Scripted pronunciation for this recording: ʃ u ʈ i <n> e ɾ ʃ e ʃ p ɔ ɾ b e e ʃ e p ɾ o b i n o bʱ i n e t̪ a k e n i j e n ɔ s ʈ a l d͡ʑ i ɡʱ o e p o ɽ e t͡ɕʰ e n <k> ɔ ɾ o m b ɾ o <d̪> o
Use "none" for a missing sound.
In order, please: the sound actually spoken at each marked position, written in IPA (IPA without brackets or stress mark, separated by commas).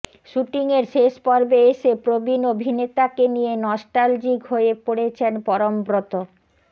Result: ŋ, p, t̪